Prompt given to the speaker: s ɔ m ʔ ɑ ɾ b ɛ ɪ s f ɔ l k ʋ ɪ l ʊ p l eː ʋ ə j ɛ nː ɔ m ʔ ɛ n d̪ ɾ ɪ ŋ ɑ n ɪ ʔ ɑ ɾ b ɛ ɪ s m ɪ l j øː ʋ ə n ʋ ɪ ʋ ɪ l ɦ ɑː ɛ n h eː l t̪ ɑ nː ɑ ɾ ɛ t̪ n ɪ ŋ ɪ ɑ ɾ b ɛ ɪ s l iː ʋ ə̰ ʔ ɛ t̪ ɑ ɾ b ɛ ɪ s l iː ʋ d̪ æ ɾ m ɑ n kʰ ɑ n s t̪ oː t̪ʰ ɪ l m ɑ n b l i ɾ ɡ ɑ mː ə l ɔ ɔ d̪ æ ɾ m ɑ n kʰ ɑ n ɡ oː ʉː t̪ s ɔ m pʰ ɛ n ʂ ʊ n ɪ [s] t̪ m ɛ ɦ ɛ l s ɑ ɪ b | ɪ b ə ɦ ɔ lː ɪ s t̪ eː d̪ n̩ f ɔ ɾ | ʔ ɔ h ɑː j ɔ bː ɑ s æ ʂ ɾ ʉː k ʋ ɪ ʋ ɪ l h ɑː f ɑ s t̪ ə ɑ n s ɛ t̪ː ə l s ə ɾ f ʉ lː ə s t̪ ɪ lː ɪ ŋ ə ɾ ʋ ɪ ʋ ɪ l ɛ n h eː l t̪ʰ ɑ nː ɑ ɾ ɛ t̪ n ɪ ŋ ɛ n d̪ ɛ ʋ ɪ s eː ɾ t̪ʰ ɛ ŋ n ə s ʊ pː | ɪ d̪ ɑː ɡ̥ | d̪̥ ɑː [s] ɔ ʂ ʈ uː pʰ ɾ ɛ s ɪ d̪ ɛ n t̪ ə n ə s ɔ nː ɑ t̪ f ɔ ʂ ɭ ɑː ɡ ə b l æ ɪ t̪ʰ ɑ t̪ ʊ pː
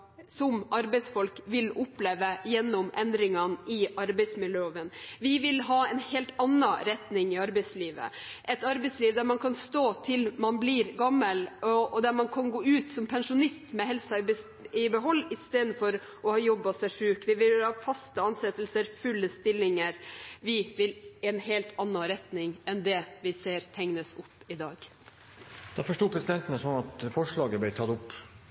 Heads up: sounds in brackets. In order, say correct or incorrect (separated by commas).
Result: correct, incorrect